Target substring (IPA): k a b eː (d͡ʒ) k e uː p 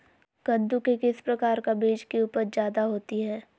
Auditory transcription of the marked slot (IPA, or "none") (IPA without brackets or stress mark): d͡ʒ